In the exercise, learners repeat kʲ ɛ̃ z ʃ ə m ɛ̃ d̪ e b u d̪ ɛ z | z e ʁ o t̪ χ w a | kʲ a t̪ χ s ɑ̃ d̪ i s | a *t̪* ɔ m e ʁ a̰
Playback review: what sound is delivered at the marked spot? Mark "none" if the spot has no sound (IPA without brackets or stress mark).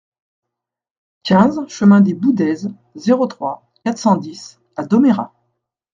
d̪